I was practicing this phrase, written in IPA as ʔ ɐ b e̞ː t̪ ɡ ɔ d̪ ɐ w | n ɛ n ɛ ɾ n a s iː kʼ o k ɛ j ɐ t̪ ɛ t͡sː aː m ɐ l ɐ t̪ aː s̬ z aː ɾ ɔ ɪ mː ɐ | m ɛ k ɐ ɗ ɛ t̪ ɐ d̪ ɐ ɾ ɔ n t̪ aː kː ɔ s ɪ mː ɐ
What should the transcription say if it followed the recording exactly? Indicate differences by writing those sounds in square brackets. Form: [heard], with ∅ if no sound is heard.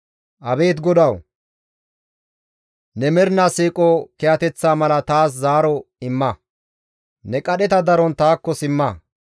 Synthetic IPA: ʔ ɐ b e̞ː t̪ ɡ ɔ d̪ ɐ w | n ɛ [m] ɛ ɾ n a s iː kʼ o k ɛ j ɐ t̪ ɛ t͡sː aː m ɐ l ɐ t̪ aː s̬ z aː ɾ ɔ ɪ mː ɐ | [n] ɛ [kʼ] ɐ ɗ ɛ t̪ ɐ d̪ ɐ ɾ ɔ n t̪ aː kː ɔ s ɪ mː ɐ